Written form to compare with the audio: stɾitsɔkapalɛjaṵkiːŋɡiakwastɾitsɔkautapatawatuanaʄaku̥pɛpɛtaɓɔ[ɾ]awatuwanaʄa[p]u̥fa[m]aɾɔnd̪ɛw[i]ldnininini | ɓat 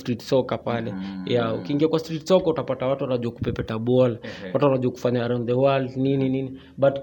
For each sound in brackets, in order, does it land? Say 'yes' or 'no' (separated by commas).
no, no, no, no